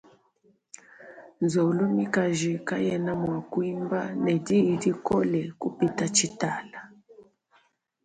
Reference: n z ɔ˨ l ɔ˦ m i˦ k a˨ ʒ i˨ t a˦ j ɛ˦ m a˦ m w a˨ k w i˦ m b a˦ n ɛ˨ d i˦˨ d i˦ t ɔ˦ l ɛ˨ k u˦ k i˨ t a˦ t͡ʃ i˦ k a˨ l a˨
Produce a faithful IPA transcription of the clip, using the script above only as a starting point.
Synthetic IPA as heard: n z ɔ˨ l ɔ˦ m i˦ k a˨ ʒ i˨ k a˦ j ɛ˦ n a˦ m w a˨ k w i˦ m b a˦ n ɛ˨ d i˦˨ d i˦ k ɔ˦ l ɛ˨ k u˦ p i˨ t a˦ t͡ʃ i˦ t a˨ l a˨